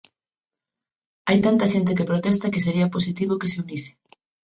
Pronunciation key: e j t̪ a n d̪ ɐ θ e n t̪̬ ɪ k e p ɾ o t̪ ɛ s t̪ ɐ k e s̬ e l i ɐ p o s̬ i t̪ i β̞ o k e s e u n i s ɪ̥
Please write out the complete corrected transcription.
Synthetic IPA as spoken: a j t̪ a n t̪ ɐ ʃ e n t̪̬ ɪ k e p ɾ o t̪ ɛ s t̪ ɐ k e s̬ e ɾ i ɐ p o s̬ i t̪ i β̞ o k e s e u n i s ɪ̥